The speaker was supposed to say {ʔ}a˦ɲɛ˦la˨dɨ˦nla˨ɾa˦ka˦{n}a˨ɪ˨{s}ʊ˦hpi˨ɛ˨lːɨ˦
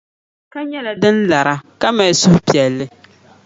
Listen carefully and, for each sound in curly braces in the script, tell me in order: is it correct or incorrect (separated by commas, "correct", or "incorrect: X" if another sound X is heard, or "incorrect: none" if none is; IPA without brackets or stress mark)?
incorrect: k, incorrect: m, correct